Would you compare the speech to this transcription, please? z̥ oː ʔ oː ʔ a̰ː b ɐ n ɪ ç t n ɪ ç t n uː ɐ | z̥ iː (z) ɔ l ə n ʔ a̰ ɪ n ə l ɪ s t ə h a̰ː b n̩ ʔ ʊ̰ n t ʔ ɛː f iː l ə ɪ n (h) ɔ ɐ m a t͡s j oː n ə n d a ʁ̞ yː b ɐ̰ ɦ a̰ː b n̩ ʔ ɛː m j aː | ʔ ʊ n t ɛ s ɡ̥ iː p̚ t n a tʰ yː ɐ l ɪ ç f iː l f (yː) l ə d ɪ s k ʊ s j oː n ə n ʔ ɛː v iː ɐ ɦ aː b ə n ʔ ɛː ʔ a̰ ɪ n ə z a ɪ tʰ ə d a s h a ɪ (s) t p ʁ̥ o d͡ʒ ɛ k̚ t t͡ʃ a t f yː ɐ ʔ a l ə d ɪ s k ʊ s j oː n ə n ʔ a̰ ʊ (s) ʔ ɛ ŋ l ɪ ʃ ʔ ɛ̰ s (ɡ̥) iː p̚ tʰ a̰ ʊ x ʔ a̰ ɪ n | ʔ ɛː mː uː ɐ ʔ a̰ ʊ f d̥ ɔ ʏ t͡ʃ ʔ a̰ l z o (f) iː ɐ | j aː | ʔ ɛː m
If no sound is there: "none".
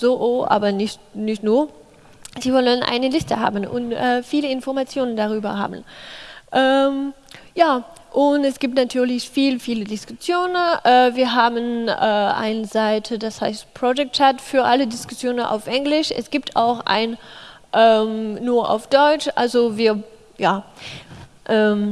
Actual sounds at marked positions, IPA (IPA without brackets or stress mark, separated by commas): v, f, iː, s, f, ɡ̥, v